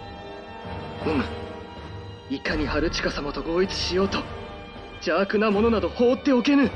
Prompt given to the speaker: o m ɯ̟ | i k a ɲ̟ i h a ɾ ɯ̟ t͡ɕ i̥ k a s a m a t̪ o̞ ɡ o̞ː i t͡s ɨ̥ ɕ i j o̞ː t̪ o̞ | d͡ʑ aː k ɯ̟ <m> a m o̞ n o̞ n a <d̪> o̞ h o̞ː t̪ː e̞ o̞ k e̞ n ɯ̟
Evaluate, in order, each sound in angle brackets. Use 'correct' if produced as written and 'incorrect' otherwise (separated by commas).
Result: incorrect, correct